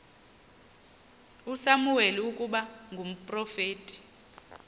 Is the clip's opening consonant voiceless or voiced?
voiceless